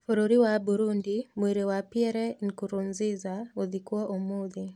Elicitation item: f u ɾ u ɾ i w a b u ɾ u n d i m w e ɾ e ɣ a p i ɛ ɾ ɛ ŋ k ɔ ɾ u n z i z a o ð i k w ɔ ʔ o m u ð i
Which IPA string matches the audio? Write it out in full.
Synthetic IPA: f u ɾ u ɾ i w a b u ɾ u n d i m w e ɾ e w a p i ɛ ɾ ɛ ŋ k u ɾ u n z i z a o ð i k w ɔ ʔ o m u ð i